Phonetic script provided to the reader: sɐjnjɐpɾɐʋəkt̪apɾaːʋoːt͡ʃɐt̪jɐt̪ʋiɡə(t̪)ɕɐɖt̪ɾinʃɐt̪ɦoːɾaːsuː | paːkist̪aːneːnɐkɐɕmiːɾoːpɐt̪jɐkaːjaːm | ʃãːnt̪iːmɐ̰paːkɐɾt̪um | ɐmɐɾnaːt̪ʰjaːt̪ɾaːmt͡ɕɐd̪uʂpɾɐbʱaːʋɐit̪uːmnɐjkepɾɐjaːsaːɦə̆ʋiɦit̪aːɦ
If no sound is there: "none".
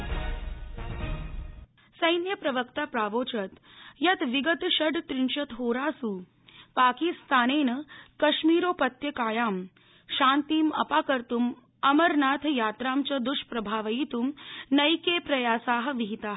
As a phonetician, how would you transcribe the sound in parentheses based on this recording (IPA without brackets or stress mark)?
t̪